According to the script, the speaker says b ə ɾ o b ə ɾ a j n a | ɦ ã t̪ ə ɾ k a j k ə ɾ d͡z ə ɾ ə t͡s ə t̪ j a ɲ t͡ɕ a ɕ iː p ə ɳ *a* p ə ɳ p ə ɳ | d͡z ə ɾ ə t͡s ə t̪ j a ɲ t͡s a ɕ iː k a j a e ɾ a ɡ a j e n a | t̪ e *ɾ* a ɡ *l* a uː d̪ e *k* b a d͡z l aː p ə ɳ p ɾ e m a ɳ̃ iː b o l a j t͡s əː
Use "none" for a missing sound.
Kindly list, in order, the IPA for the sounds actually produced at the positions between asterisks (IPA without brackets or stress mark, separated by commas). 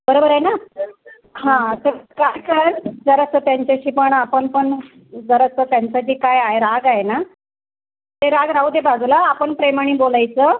a, ɾ, ɾ, none